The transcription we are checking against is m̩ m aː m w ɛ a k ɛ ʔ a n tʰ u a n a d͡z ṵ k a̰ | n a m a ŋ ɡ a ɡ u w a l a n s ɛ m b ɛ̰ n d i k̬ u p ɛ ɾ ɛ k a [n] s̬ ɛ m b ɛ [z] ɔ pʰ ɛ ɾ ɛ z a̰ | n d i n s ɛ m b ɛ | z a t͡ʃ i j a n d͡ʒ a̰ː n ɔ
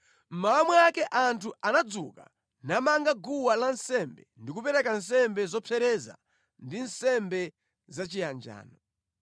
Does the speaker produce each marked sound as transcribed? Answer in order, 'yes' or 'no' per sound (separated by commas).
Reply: yes, yes